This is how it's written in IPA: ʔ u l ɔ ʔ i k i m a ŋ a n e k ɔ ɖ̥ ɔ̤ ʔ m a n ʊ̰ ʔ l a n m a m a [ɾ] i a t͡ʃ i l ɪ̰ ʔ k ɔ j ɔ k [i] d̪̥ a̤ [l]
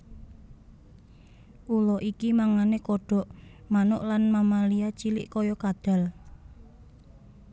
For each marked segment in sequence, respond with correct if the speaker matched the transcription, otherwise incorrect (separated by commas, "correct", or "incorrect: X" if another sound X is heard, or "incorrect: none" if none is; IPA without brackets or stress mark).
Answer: incorrect: l, incorrect: a, correct